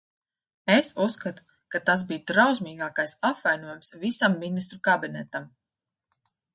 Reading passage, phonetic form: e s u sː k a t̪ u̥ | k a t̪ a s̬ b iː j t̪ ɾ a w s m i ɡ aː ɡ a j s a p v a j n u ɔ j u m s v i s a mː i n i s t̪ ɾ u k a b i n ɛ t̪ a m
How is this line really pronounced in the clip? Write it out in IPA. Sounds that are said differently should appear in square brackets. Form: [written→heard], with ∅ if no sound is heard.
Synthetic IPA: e s u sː k a t̪ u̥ | k a t̪ a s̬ b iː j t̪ ɾ a w s m [i→iː] ɡ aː [ɡ→k] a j s a p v a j n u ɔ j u m s v i s a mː i n i s t̪ ɾ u k a b i n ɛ t̪ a m

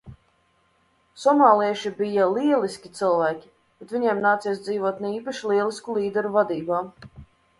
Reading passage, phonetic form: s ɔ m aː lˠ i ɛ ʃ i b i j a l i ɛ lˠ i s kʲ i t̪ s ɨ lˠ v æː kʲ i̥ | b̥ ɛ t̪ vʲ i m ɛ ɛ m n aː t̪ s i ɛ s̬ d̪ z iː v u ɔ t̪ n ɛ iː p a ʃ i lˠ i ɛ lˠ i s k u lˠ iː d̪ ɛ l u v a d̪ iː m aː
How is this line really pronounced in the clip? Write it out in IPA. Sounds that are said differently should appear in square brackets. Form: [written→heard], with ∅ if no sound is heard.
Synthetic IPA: s ɔ m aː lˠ i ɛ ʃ i b i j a l i ɛ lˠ i s kʲ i t̪ s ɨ lˠ v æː kʲ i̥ | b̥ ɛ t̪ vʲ i [m→ɲ] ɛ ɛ m n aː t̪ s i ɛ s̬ d̪ z iː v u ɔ t̪ n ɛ iː p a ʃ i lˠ i ɛ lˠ i s k u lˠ iː d̪ ɛ [l→ɾ] u v a d̪ iː [m→b] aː

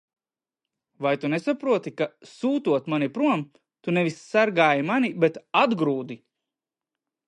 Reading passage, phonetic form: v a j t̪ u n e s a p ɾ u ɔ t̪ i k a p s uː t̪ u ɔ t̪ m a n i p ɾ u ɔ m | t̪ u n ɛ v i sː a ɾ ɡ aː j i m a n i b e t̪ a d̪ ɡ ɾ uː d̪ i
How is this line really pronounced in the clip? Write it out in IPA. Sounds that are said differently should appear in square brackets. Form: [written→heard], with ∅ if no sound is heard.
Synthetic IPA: v a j t̪ u n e s a p ɾ u ɔ t̪ i k a [p→∅] s uː t̪ u ɔ t̪ m a n i p ɾ u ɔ m | t̪ u n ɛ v i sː a ɾ ɡ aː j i m a n i b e t̪ a d̪ ɡ ɾ uː d̪ i

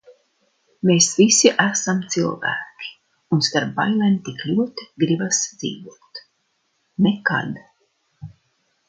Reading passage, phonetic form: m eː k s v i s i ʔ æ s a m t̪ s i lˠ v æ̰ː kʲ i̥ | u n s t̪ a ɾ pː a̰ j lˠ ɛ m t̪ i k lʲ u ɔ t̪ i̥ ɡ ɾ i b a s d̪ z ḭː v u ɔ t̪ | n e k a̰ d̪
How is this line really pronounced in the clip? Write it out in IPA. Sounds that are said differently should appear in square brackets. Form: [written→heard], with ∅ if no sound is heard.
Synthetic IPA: m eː [k→∅] s v i s i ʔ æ s a m t̪ s i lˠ v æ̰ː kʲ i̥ | u n s t̪ a ɾ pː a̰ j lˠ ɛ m t̪ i k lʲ u ɔ t̪ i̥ ɡ ɾ i b a s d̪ z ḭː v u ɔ t̪ | n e k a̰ d̪

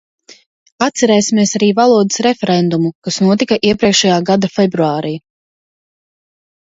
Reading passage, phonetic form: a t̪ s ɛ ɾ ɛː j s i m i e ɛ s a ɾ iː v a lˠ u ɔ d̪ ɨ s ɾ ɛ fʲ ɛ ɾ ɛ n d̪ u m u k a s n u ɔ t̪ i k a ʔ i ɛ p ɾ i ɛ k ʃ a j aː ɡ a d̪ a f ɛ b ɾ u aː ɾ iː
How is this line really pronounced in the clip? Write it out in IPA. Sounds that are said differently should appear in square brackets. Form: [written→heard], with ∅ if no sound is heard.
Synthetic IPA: a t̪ s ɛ ɾ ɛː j s i m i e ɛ s a ɾ iː v a lˠ u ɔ d̪ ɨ s ɾ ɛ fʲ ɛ ɾ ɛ n d̪ u m u k a s n u ɔ t̪ i k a ʔ i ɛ p ɾ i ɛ k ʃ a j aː ɡ a d̪ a f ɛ b ɾ u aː ɾ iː

